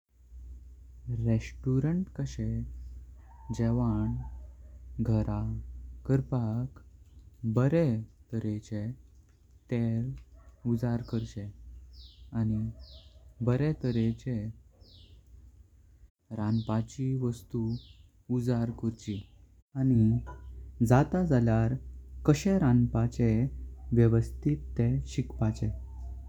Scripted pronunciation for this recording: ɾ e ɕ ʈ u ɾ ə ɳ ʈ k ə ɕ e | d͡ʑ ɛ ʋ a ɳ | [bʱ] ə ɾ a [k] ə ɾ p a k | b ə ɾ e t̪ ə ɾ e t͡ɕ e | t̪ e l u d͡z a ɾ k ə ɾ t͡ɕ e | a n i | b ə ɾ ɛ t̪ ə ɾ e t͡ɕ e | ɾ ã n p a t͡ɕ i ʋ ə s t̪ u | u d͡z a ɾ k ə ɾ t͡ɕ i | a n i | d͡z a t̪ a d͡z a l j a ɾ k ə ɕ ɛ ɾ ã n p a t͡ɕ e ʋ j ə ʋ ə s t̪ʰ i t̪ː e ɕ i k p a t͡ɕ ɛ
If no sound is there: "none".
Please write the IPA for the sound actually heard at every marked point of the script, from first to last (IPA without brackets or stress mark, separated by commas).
ɡʱ, k